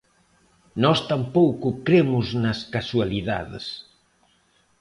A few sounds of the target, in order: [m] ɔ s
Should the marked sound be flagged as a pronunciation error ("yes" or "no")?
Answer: yes